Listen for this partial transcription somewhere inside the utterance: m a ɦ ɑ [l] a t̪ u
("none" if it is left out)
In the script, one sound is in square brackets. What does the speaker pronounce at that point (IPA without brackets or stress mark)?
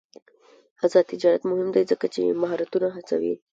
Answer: ɾ